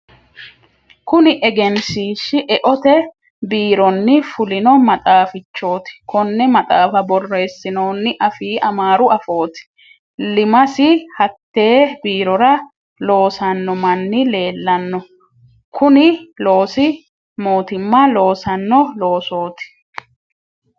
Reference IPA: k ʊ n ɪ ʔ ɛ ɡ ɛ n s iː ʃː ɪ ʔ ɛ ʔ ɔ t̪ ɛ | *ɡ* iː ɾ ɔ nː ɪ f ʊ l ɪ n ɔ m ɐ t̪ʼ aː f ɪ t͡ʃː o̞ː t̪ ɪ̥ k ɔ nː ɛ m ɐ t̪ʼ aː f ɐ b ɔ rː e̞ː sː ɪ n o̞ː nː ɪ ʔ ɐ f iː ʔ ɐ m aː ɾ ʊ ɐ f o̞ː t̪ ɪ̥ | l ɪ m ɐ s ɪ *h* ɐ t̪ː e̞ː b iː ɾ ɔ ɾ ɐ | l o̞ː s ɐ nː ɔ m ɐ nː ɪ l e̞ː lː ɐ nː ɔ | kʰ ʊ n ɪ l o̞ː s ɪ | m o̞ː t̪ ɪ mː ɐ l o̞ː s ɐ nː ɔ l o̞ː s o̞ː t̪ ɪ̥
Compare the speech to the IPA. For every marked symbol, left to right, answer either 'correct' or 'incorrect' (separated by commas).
incorrect, correct